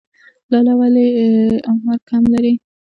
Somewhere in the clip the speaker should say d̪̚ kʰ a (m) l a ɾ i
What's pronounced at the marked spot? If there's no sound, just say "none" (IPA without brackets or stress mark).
m